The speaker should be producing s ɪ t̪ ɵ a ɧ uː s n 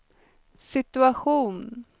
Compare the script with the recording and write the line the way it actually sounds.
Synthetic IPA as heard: s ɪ t̪ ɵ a ɧ uː n